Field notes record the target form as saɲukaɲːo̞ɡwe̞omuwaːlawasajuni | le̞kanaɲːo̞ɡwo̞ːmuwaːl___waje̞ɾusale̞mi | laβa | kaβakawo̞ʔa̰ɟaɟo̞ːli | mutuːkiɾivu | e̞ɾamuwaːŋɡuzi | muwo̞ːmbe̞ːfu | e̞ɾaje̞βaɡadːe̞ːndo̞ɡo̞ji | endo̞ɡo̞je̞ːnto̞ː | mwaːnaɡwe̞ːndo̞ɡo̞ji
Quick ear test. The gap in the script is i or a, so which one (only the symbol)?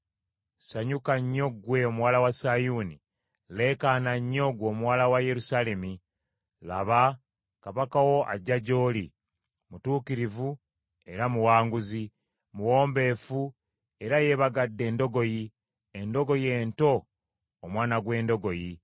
a